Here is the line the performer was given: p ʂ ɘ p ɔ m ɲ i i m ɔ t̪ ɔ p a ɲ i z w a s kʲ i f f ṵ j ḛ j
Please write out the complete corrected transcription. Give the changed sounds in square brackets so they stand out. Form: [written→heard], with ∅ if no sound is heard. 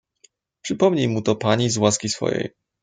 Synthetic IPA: p ʂ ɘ p ɔ m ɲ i [i→j] m [ɔ→u] t̪ ɔ p a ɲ i z w a s kʲ i [f→s] f [ṵ→ɔ̰] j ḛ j

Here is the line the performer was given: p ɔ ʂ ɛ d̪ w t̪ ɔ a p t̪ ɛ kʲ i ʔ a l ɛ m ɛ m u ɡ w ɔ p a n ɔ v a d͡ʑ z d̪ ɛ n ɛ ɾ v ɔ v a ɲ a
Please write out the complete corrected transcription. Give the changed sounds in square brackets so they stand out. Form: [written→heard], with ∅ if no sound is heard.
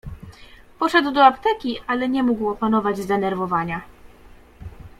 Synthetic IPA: p ɔ ʂ ɛ d̪ w [t̪→d̪] ɔ a p t̪ ɛ kʲ i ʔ a l ɛ [m→ɲ] ɛ m u ɡ w ɔ p a n ɔ v a d͡ʑ z d̪ ɛ n ɛ ɾ v ɔ v a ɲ a

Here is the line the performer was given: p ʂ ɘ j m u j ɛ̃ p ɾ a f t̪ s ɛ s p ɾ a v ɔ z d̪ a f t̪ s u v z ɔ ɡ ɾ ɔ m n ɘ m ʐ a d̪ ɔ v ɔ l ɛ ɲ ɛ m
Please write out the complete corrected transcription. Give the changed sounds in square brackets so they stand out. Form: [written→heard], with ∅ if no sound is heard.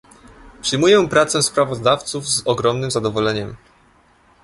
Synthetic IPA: p ʂ ɘ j m u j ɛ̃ p ɾ a [f→∅] t̪ s ɛ s p ɾ a v ɔ z d̪ a f t̪ s u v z ɔ ɡ ɾ ɔ m n ɘ m [ʐ→z] a d̪ ɔ v ɔ l ɛ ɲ ɛ m

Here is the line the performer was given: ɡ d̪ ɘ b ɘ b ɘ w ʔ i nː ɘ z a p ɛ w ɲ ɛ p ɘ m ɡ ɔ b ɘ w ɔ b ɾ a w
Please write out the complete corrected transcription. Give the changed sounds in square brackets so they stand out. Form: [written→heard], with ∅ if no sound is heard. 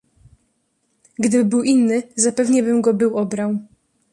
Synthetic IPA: ɡ d̪ ɘ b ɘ b ɘ w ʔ i nː ɘ z a p ɛ [w→v] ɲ ɛ [p→b] ɘ m ɡ ɔ b ɘ w ɔ b ɾ a w

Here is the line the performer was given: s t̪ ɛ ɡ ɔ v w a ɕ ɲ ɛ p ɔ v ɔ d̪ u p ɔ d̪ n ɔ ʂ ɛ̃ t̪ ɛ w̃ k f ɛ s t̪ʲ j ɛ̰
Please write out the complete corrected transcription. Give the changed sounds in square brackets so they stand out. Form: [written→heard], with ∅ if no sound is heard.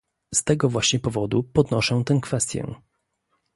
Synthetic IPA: s t̪ ɛ ɡ ɔ v w a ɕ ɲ ɛ p ɔ v ɔ d̪ u p ɔ d̪ n ɔ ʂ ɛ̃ t̪ ɛ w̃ k f ɛ s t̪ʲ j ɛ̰

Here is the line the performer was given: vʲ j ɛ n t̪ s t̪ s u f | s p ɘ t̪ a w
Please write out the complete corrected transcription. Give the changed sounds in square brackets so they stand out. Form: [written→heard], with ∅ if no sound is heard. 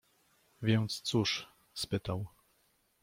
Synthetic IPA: vʲ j ɛ n t̪ s t̪ s u [f→ʂ] | s p ɘ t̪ a w

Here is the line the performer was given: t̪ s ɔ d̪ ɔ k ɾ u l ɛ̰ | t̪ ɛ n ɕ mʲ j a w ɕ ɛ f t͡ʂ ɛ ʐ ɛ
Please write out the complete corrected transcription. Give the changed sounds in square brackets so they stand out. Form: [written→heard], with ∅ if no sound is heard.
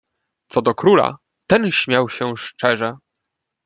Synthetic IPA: t̪ s ɔ d̪ ɔ k ɾ u l [ɛ̰→a̰] | t̪ ɛ n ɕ mʲ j a w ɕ ɛ [f→ʂ] t͡ʂ ɛ ʐ ɛ

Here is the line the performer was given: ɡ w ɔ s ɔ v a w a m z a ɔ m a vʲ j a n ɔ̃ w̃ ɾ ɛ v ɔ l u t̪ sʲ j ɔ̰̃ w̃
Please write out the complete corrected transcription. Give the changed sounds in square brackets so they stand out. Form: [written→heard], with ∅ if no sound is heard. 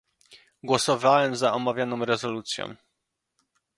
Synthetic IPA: ɡ w ɔ s ɔ v a w [a→ɛ] m z a ɔ m a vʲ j a n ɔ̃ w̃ ɾ ɛ [v→z] ɔ l u t̪ sʲ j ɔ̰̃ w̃

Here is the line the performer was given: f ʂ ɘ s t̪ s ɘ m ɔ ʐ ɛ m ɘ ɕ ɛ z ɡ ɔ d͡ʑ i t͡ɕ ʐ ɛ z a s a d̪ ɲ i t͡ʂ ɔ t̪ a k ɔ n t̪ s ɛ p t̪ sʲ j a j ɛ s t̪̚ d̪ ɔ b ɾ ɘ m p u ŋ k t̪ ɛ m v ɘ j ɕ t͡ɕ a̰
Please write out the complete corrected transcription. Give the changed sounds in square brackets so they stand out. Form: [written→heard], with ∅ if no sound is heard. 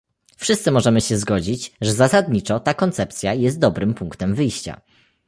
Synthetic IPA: f ʂ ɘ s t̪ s ɘ m ɔ ʐ ɛ m ɘ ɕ ɛ z ɡ ɔ d͡ʑ i t͡ɕ ʐ ɛ z a s a d̪ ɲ i t͡ʂ ɔ t̪ a k ɔ n t̪ s ɛ p t̪ sʲ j a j ɛ s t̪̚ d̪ ɔ b ɾ ɘ m p u ŋ k t̪ ɛ m v ɘ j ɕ t͡ɕ a̰

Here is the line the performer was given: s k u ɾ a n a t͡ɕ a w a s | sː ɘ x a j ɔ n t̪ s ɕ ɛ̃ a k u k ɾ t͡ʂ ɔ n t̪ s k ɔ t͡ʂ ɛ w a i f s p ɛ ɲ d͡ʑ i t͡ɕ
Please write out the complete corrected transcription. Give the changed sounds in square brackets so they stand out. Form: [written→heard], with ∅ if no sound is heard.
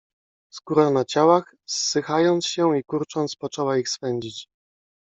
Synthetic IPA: s k u ɾ a n a t͡ɕ a w a [s→x] | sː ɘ x a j ɔ n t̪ s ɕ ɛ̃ [a→i] k u [k→∅] ɾ t͡ʂ ɔ n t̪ s [k→p] ɔ t͡ʂ ɛ w a i [f→x] s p ɛ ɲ d͡ʑ i t͡ɕ

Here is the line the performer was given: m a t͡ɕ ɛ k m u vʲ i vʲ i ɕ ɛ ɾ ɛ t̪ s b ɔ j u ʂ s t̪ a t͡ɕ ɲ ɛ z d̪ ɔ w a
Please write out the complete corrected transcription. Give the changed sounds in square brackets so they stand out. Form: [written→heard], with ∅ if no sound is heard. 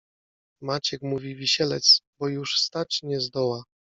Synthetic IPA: m a t͡ɕ ɛ k m u vʲ i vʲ i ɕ ɛ [ɾ→l] ɛ t̪ s b ɔ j u ʂ s t̪ a t͡ɕ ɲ ɛ z d̪ ɔ w a

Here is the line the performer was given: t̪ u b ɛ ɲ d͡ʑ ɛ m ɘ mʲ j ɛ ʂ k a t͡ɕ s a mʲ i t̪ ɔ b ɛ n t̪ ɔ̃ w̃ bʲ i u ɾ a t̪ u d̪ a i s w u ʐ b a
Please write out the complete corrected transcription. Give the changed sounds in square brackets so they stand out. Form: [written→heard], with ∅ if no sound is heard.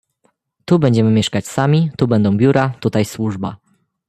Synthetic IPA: t̪ u b ɛ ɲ d͡ʑ ɛ m ɘ mʲ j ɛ ʂ k a t͡ɕ s a mʲ i t̪ [ɔ→u] b ɛ n [t̪→d̪] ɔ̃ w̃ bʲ [i→j] u ɾ a t̪ u [d̪→t̪] a [i→j] s w u ʐ b a

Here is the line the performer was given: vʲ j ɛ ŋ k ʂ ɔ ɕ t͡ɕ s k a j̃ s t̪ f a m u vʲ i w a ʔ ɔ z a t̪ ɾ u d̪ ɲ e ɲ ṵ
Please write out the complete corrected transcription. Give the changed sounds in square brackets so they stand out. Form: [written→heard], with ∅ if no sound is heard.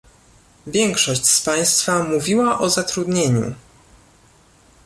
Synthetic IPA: vʲ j ɛ ŋ k ʂ ɔ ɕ t͡ɕ s [k→p] a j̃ s t̪ f a m u vʲ i w a ʔ ɔ z a t̪ ɾ u d̪ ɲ e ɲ ṵ

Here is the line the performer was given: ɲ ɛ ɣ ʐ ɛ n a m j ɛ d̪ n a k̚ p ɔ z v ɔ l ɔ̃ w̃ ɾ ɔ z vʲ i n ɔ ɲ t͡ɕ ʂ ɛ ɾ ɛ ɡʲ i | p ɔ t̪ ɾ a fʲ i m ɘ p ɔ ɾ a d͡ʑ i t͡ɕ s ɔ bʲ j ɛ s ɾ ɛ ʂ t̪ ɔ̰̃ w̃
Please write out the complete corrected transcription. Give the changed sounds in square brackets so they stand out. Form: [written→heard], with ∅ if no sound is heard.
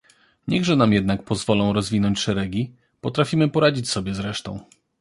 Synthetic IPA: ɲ ɛ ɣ ʐ ɛ n a m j ɛ d̪ n a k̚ p ɔ z v ɔ l ɔ̃ w̃ ɾ ɔ z vʲ i n ɔ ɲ t͡ɕ ʂ ɛ ɾ ɛ ɡʲ i | p ɔ t̪ ɾ a fʲ i m ɘ p ɔ ɾ a d͡ʑ i t͡ɕ s ɔ bʲ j ɛ [s→z] ɾ ɛ ʂ t̪ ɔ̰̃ w̃

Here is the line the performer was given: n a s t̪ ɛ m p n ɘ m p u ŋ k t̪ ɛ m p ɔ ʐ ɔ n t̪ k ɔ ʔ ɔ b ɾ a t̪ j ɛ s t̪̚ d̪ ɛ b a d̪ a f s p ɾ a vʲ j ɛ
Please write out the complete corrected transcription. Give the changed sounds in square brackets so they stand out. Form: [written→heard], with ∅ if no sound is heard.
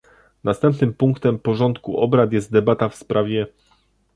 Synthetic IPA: n a s t̪ ɛ m p n ɘ m p u ŋ k t̪ ɛ m p ɔ ʐ ɔ n t̪ k [ɔ→u] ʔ ɔ b ɾ a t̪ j ɛ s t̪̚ d̪ ɛ b a [d̪→t̪] a f s p ɾ a vʲ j ɛ

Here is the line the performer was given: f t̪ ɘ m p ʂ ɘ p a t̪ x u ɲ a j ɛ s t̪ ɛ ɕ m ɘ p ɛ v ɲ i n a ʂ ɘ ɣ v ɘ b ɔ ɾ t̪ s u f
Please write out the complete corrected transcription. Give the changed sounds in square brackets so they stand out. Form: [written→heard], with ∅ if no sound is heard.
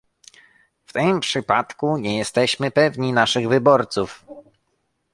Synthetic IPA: f t̪ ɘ m p ʂ ɘ p a t̪ [x→k] u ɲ [a→ɛ] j ɛ s t̪ ɛ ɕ m ɘ p ɛ v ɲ i n a ʂ ɘ ɣ v ɘ b ɔ ɾ t̪ s u f

